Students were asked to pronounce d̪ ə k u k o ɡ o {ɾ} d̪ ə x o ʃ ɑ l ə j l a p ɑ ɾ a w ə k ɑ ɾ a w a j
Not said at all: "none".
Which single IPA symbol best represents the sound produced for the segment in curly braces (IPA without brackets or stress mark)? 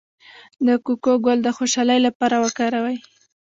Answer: l